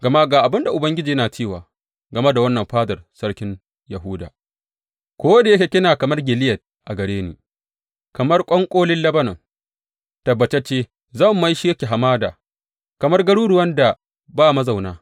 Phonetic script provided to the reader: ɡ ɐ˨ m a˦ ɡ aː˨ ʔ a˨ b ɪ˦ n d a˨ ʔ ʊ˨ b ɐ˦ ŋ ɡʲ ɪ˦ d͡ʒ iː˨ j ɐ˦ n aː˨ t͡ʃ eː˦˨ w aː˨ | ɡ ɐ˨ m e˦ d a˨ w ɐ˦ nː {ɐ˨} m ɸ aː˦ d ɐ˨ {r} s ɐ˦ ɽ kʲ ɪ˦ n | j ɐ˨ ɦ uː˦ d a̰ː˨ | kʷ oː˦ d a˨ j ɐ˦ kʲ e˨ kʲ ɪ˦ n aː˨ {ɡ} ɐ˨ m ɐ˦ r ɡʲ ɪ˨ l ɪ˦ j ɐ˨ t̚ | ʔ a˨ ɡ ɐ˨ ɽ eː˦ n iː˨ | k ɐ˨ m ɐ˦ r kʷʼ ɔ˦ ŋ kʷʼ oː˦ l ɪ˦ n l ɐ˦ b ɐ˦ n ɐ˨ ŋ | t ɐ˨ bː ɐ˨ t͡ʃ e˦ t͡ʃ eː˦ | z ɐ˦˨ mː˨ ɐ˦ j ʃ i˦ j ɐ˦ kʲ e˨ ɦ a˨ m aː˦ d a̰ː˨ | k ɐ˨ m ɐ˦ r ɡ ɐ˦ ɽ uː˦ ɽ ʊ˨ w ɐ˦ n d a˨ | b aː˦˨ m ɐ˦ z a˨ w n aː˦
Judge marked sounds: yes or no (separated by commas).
yes, yes, no